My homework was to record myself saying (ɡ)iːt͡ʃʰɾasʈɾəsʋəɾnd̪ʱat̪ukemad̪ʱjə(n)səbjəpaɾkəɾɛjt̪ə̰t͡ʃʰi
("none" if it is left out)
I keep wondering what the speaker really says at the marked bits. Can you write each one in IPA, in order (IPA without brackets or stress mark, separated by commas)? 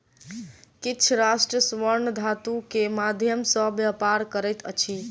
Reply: k, m